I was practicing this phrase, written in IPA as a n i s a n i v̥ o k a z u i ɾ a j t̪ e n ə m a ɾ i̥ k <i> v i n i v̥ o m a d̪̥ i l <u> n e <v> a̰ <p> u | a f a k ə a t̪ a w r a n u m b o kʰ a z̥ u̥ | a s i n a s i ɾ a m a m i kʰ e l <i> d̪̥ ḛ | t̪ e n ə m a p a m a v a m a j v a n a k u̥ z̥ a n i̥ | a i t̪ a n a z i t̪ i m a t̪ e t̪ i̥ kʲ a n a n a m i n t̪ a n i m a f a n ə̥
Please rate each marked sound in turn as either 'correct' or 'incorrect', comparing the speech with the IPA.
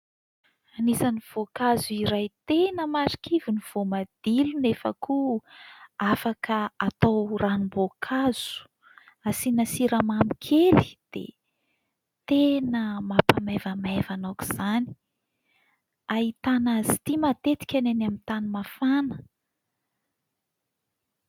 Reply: correct, correct, incorrect: f, incorrect: k, correct

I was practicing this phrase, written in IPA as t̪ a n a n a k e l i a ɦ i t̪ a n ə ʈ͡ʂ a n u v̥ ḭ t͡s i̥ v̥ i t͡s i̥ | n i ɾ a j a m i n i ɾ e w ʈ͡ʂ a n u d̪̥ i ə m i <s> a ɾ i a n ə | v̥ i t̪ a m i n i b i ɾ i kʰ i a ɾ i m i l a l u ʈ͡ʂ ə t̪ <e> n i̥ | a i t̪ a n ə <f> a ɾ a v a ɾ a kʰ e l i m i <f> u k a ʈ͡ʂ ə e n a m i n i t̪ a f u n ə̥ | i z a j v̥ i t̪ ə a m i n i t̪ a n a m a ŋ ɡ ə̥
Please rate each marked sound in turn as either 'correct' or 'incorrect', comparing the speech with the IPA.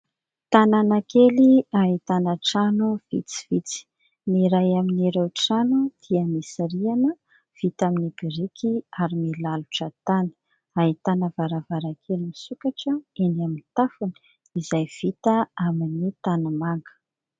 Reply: correct, incorrect: a, incorrect: v, incorrect: s

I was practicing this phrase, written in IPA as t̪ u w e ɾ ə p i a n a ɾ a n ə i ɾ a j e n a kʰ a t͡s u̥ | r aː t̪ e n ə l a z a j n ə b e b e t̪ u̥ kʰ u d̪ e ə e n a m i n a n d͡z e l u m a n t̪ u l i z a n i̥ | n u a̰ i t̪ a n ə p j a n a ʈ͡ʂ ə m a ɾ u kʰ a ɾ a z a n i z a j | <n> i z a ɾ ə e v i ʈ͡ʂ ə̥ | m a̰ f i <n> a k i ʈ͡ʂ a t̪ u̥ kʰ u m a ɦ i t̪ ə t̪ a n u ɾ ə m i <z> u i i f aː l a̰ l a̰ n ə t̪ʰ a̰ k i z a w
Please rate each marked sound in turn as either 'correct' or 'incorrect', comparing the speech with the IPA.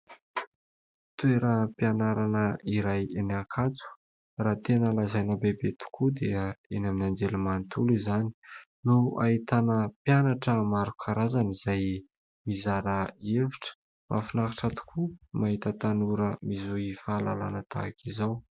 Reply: incorrect: m, correct, correct

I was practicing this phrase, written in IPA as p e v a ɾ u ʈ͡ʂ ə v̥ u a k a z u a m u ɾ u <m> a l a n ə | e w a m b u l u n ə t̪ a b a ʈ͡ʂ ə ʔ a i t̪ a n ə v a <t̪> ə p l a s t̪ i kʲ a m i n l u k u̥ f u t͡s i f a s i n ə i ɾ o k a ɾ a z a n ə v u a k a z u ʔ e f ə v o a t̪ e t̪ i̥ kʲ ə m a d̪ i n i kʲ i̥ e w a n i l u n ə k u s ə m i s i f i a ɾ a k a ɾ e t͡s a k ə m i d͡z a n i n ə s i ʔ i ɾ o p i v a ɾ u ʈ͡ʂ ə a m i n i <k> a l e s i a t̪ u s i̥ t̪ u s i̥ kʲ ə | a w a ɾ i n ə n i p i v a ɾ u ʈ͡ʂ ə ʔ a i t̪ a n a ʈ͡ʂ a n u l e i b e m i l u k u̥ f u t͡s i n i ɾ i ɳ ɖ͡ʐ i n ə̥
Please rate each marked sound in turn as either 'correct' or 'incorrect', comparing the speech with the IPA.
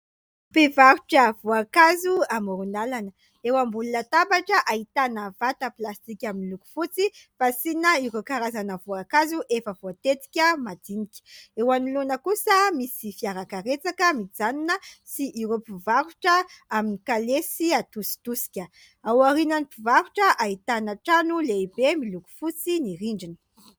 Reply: incorrect: n, correct, correct

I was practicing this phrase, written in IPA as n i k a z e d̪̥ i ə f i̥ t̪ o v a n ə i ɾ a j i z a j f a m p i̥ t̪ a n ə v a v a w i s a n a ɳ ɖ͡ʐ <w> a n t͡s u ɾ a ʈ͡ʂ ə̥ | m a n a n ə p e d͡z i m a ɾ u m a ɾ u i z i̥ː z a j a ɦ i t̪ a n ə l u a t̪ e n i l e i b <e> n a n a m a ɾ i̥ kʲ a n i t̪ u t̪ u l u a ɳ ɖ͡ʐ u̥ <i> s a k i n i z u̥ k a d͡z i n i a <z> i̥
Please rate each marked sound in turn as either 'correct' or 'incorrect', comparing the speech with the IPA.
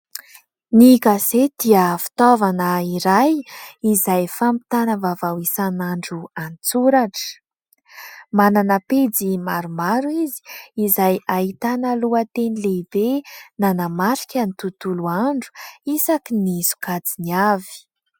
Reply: incorrect: u, correct, correct, incorrect: v

